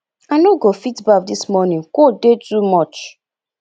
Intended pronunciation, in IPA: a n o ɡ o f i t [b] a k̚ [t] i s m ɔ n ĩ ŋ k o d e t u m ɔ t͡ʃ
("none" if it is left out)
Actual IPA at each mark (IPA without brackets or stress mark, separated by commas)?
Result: b, d